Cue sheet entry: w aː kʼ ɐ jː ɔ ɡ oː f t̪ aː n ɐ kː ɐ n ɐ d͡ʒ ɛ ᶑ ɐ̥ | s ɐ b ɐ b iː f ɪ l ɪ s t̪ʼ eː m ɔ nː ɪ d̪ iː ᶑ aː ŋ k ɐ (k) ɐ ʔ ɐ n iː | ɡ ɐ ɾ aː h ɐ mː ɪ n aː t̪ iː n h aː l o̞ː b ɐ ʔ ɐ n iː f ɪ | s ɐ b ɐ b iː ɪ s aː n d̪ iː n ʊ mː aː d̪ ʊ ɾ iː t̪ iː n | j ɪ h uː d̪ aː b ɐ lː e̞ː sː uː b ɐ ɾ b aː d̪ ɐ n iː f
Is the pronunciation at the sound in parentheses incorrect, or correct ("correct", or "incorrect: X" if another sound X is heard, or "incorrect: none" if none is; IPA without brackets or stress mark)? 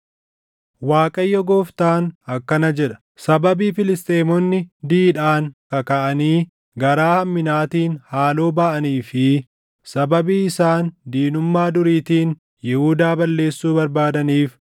correct